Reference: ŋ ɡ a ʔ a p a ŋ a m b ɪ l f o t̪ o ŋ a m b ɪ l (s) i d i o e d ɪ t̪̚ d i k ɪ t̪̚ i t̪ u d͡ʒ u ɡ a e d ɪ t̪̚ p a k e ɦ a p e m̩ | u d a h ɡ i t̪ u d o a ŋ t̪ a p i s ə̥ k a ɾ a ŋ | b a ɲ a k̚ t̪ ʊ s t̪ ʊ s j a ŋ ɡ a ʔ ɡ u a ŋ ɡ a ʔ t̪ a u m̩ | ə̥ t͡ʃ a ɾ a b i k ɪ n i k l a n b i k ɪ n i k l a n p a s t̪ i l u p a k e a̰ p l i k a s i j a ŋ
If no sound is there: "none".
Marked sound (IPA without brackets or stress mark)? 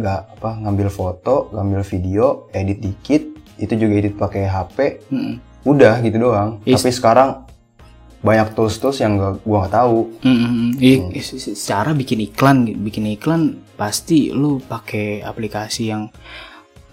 f